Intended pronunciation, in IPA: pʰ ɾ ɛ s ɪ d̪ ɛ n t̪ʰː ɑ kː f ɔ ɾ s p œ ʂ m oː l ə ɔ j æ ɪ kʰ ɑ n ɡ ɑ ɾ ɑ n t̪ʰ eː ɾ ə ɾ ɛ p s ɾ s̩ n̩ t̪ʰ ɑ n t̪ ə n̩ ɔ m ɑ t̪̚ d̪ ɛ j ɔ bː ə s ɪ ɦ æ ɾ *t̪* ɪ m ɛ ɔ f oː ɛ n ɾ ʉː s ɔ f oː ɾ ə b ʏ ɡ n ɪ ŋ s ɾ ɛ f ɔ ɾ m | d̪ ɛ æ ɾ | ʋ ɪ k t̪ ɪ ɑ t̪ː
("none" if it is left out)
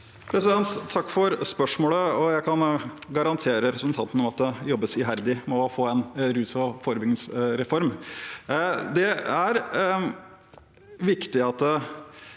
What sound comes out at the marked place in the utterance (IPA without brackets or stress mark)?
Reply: d̪